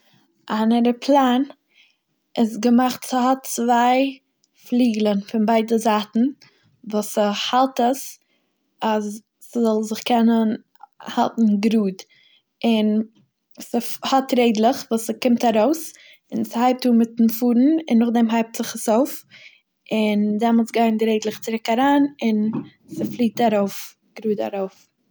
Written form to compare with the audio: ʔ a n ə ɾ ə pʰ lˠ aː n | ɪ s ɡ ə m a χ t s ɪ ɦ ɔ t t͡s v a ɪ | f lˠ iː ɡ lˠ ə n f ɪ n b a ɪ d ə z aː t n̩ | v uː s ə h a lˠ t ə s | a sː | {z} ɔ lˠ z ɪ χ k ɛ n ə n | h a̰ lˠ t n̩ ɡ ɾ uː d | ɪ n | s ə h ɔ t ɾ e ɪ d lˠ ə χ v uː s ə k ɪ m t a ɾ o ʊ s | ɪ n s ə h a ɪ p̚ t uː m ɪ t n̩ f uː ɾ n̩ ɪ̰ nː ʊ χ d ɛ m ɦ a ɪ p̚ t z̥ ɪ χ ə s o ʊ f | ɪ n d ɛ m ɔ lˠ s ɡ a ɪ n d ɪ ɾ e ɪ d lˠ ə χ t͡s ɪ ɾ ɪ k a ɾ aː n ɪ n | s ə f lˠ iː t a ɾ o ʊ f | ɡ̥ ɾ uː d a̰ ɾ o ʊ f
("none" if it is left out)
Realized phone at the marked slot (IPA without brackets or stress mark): z